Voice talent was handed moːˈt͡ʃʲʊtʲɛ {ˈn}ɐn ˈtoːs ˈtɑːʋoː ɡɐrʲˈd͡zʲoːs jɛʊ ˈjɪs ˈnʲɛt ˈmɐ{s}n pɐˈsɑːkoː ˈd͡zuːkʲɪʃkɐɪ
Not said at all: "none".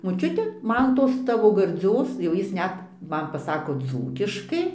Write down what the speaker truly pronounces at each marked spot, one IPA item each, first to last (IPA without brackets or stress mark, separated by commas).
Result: m, none